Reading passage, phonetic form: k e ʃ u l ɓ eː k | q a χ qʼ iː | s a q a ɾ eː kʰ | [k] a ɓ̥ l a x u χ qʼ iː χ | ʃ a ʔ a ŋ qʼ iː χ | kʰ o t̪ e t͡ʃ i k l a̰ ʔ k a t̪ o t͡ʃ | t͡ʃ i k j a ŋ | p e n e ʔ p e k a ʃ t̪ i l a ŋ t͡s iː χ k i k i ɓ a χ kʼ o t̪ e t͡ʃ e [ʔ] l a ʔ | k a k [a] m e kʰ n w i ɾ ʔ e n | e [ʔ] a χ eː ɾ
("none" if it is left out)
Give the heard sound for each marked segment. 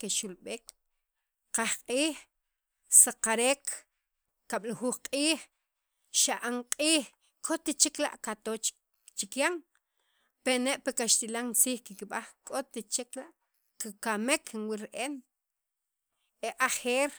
k, k, a, ʔ

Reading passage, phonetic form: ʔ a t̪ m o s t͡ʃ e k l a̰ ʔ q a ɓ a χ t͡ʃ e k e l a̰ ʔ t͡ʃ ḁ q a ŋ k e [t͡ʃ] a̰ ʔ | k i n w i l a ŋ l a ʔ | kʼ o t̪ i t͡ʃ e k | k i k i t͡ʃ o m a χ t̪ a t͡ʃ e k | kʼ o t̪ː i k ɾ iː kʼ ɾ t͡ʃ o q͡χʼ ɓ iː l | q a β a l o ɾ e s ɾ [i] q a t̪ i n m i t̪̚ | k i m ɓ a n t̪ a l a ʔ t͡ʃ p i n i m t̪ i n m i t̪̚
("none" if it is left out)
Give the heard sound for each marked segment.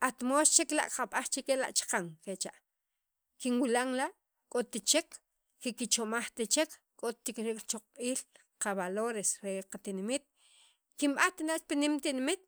t͡ʃ, e

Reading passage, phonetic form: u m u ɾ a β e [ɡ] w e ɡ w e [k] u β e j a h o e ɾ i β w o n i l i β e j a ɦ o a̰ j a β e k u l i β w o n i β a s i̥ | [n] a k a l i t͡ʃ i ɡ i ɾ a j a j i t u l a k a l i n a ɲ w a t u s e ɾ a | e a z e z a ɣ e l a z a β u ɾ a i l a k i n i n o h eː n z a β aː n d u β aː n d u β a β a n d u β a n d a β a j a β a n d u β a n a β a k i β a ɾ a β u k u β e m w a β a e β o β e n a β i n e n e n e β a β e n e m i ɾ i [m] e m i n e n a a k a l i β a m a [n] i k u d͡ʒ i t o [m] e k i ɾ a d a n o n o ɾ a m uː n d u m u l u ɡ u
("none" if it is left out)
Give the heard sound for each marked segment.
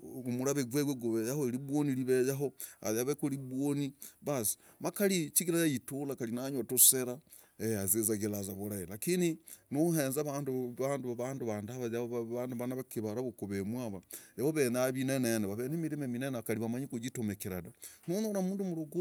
ɡ, ɡ, m, m, ɲ, m

